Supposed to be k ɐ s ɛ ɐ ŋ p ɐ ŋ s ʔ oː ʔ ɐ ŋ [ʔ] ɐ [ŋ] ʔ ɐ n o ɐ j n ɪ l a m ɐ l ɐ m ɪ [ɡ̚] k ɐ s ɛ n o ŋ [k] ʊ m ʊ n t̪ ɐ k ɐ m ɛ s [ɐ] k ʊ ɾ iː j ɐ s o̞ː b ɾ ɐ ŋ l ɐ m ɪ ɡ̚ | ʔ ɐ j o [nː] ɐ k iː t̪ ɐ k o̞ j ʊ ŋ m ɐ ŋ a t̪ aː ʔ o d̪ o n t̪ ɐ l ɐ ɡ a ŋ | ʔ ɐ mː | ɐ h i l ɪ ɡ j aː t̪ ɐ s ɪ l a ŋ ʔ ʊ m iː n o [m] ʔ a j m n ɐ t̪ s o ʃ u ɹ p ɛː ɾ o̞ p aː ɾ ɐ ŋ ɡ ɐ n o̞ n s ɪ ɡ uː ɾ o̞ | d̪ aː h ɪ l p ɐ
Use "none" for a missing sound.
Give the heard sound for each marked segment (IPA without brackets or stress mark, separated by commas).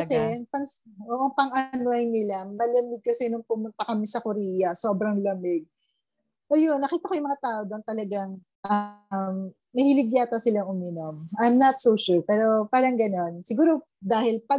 p, ŋ, ɡ̚, p, ɐ, nː, m